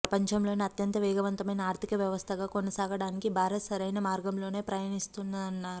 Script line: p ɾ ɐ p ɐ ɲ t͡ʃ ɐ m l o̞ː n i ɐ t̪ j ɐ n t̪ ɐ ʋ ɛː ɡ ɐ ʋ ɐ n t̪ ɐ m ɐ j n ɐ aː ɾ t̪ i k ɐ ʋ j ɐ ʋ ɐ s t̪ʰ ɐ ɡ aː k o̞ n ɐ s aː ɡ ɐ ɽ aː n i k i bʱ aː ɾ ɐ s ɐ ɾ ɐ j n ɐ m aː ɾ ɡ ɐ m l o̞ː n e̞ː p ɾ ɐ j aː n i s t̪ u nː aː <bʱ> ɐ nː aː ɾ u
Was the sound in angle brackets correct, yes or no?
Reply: no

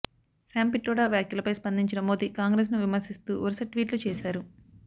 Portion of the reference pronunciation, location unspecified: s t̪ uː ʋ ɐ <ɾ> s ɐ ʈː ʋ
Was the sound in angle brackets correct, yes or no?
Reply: yes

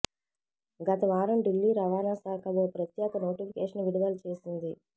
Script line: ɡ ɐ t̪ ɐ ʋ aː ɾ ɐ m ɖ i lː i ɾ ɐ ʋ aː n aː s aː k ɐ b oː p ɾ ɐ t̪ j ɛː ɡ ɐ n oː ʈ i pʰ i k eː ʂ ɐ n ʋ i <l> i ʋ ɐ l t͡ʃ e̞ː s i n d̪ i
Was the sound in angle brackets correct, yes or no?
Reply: no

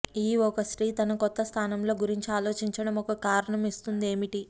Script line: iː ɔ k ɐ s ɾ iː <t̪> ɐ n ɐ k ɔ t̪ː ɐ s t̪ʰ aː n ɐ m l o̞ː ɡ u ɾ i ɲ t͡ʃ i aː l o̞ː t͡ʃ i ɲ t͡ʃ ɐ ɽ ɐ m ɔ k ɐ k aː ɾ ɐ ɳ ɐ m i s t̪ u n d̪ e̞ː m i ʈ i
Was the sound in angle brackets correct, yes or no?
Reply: yes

